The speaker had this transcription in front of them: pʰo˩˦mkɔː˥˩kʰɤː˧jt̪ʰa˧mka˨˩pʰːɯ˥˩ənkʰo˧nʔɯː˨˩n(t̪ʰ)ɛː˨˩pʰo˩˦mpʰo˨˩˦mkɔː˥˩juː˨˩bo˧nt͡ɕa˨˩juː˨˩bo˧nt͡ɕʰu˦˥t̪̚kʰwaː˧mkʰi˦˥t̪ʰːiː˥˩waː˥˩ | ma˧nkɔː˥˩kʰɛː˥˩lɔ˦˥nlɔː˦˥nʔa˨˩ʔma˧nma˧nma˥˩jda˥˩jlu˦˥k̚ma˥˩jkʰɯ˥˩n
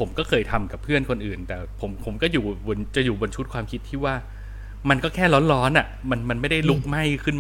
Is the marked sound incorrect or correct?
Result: incorrect